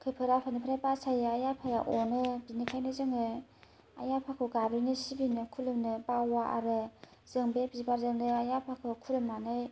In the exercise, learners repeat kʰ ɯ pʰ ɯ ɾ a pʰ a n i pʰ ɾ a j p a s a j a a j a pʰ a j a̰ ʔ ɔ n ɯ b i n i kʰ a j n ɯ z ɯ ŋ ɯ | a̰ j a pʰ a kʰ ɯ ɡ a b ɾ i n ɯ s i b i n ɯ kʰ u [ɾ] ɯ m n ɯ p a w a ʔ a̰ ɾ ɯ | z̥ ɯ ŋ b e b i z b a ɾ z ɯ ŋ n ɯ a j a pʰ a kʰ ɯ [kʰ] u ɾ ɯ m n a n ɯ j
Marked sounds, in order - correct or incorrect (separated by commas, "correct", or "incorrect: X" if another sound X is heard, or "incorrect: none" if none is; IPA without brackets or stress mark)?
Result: incorrect: l, correct